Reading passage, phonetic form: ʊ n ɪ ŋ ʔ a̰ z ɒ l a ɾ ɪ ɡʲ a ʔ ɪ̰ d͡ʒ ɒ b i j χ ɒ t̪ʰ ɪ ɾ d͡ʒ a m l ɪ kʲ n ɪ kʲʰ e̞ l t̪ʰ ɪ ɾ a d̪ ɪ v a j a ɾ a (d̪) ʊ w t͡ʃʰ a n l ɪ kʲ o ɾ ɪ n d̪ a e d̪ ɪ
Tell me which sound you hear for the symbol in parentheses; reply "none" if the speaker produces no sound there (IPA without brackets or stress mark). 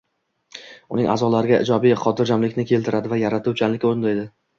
t̪